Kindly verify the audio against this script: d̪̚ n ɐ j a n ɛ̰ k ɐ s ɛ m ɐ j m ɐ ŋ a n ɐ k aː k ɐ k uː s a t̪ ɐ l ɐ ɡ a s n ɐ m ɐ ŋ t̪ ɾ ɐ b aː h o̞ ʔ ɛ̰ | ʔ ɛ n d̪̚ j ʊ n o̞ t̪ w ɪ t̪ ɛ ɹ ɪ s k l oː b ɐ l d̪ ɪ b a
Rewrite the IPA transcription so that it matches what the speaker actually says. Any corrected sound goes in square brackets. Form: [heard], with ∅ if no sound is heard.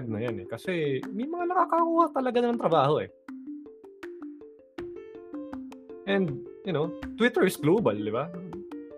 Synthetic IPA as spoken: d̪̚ n ɐ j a n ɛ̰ k ɐ s ɛ m ɐ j m ɐ ŋ a n ɐ k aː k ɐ k uː [h] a t̪ ɐ l ɐ ɡ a [∅] n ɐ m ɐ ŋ t̪ ɾ ɐ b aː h o̞ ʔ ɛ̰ | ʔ ɛ n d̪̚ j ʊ n o̞ t̪ w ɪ t̪ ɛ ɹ ɪ s [ɡ] l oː b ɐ l d̪ ɪ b a